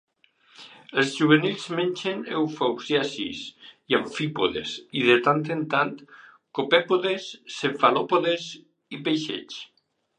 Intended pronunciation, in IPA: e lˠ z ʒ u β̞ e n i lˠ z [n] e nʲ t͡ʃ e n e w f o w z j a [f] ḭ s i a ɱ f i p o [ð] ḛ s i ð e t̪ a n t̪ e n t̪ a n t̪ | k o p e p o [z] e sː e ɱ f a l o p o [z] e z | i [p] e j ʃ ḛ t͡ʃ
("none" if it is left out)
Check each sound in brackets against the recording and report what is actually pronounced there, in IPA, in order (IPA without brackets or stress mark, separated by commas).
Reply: m, s, ð, ð, ð, p